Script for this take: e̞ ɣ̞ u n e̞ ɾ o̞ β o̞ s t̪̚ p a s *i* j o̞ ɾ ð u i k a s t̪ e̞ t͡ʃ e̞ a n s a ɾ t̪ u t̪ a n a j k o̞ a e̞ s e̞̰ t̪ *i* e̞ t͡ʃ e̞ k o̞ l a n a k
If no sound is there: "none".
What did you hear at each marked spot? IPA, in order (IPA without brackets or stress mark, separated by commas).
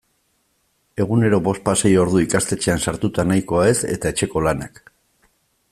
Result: e, a